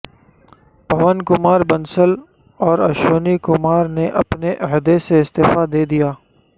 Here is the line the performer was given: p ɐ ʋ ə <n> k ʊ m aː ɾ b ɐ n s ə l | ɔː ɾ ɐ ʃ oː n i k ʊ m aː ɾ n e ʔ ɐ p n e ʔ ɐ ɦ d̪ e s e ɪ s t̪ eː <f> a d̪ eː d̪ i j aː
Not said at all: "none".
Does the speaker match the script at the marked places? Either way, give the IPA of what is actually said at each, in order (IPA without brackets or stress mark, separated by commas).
n, f